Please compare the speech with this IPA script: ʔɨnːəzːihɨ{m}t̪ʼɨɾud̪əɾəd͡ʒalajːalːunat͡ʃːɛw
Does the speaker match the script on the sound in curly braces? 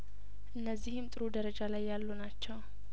yes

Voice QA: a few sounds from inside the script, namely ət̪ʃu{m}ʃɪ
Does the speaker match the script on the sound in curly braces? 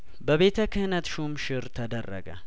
yes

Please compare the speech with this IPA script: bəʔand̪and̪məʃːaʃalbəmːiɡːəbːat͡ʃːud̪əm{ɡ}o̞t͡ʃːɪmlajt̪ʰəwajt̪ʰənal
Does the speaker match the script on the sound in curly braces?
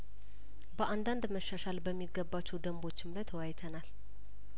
no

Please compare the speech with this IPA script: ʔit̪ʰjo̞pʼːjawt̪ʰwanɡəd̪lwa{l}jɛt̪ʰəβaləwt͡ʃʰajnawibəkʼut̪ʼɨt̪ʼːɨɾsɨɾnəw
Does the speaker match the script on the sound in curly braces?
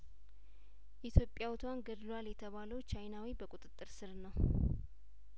yes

